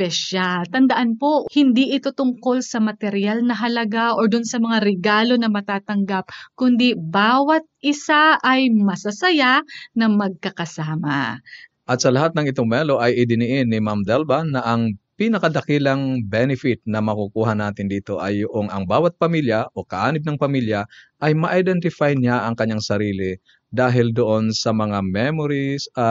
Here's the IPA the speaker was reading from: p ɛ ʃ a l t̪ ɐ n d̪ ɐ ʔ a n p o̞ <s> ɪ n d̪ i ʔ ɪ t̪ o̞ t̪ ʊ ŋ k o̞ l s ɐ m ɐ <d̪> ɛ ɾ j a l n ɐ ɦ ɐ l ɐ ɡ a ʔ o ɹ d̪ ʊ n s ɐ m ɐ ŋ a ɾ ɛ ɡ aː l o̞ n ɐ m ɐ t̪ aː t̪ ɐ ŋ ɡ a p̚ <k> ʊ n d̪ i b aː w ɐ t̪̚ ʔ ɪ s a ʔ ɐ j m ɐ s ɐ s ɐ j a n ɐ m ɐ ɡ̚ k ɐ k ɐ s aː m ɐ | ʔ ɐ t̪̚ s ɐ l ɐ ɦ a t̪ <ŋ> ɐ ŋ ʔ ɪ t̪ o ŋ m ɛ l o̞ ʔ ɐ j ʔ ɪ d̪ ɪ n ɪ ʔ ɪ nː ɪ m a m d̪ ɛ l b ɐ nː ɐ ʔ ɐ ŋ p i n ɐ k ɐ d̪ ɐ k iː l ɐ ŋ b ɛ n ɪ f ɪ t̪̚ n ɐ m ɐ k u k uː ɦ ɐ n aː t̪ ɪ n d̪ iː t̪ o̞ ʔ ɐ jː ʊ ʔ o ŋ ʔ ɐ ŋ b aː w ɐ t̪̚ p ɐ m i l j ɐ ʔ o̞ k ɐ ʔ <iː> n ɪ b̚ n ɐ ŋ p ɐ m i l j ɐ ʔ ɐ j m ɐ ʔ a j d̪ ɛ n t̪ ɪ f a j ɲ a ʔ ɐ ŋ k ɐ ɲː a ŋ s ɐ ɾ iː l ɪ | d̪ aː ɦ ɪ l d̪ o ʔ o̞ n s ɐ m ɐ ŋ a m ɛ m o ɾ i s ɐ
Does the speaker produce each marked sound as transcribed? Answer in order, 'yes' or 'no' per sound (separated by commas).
no, no, yes, no, no